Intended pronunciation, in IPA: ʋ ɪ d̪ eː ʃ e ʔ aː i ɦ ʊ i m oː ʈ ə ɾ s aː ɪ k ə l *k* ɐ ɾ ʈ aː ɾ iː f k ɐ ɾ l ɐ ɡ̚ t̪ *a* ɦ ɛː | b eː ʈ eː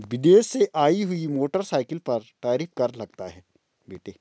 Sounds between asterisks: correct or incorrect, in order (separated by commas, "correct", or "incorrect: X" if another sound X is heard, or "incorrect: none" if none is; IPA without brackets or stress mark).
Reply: incorrect: p, correct